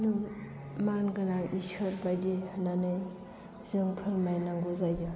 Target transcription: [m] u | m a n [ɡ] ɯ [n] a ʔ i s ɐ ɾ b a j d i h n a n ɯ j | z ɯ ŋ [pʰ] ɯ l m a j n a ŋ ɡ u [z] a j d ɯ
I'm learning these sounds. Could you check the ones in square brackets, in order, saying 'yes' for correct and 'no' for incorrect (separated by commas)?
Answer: no, yes, yes, yes, yes